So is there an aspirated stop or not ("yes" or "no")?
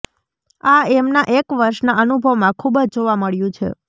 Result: yes